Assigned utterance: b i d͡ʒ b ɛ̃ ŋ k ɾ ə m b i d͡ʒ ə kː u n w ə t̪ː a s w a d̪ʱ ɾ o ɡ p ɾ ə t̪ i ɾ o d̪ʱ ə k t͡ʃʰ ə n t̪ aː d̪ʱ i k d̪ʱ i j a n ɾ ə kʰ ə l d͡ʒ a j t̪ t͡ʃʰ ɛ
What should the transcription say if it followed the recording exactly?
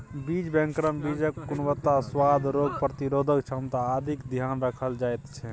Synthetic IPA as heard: b i d͡ʒ b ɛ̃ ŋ k ɾ ə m b i d͡ʒ ə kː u n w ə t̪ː a s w a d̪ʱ ɾ o ɡ p ɾ ə t̪ i ɾ o d̪ʱ ə k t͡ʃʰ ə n t̪ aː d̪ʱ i k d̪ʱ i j a n ɾ ə kʰ ə l d͡ʒ a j t̪ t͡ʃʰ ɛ